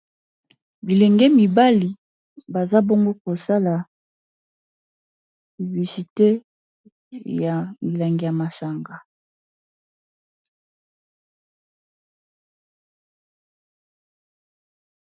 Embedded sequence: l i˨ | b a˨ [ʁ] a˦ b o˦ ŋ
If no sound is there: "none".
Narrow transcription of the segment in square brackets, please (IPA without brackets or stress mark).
z